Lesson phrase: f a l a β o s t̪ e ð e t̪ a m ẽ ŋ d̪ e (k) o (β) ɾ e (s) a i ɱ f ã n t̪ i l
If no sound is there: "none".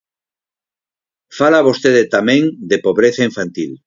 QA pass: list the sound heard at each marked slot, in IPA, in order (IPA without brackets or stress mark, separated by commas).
p, β, θ